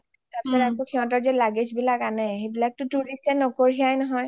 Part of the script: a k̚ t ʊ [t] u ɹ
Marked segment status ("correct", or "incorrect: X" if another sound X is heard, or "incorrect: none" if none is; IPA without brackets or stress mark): correct